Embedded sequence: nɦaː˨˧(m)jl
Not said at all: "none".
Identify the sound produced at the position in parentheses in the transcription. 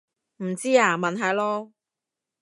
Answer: none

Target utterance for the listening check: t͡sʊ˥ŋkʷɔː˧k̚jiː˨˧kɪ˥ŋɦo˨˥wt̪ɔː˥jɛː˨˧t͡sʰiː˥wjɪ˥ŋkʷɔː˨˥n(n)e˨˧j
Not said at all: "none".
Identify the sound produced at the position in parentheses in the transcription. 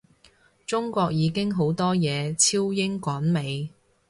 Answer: m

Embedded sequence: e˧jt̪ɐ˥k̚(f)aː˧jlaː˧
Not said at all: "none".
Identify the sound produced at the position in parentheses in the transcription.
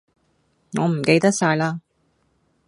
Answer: s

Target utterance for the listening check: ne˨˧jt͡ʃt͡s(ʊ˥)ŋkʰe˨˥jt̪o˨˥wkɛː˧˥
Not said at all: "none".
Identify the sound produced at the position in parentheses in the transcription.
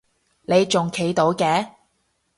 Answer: ʊ˨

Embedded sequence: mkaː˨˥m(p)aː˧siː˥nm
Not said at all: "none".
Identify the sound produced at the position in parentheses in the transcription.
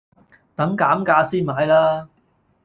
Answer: k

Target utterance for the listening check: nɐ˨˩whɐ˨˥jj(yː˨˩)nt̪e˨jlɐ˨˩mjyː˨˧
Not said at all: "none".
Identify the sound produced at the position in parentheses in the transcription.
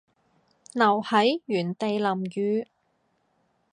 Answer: yː˨˩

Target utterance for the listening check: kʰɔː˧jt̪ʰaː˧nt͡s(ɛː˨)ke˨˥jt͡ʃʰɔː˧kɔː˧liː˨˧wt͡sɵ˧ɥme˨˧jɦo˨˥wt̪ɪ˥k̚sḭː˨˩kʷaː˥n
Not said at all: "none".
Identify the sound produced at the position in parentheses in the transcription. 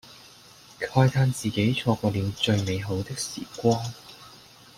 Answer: iː˨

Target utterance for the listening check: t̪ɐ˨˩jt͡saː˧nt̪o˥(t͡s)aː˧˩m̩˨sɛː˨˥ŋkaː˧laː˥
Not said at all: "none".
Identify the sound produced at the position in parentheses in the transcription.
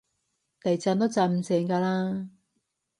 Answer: t͡s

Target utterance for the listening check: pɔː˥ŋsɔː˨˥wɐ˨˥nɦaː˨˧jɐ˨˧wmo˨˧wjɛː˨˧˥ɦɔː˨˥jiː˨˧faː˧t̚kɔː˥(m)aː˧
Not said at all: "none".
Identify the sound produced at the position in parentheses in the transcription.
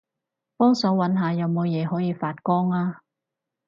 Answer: ŋ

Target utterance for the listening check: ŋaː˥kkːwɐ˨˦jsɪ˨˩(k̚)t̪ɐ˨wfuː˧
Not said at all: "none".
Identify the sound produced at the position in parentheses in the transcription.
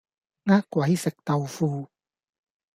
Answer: k̚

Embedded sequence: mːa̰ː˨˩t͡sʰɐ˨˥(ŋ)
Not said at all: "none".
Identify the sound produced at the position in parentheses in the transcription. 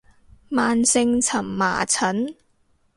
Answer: n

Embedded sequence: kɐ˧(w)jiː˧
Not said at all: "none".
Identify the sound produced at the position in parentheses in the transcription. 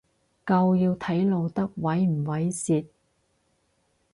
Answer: w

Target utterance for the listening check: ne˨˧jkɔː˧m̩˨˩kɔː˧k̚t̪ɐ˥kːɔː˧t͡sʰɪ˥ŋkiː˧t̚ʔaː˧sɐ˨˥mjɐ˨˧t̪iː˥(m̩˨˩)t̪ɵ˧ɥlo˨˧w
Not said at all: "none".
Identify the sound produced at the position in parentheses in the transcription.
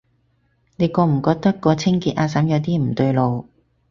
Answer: m̩˨˩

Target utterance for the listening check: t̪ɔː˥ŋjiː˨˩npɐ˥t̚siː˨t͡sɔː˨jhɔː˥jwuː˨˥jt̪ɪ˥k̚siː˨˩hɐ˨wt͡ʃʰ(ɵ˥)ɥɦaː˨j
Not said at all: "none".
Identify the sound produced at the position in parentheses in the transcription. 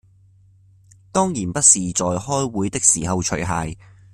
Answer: ɵ˨˩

